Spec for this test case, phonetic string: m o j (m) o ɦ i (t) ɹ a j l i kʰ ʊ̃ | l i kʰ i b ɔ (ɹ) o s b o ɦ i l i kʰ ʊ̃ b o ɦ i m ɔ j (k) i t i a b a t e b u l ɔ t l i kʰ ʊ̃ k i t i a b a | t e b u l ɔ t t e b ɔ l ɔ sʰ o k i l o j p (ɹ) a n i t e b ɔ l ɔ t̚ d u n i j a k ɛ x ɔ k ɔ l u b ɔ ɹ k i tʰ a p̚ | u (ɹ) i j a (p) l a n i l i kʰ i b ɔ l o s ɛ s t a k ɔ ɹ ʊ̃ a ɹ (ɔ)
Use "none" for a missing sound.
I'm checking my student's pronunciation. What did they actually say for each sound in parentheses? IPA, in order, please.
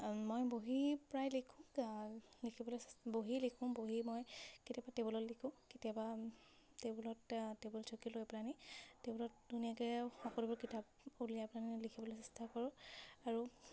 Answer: b, p, l, k, l, l, p, u

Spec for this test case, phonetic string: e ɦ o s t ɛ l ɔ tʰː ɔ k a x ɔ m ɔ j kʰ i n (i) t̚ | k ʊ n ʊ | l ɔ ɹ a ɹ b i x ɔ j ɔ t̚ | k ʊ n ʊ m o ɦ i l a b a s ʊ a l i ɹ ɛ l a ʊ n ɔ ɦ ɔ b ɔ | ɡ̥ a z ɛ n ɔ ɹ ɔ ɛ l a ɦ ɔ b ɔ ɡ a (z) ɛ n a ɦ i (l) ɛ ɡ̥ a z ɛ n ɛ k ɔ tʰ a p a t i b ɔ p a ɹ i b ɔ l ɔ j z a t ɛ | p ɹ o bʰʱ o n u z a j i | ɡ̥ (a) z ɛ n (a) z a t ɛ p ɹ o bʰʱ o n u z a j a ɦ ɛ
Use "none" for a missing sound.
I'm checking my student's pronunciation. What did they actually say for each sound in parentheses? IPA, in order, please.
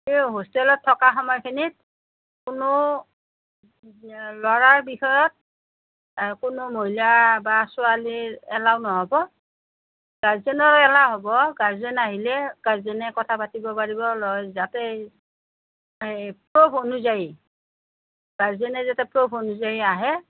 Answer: i, z, l, a, ɛ

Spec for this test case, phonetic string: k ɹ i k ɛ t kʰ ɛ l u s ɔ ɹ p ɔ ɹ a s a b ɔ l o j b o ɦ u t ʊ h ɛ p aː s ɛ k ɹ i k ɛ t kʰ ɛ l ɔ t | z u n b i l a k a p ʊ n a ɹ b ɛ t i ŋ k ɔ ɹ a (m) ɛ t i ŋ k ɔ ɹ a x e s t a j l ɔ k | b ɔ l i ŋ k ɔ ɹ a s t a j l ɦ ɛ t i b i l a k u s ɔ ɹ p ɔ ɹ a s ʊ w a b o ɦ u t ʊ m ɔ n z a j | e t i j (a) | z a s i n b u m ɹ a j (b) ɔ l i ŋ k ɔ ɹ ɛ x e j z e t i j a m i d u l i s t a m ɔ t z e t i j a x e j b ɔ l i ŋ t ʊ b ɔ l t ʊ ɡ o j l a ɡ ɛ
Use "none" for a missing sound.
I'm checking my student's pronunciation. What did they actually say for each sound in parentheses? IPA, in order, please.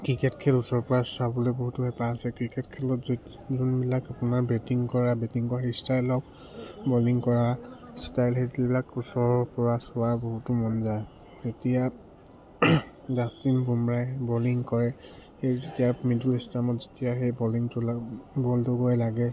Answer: b, a, b

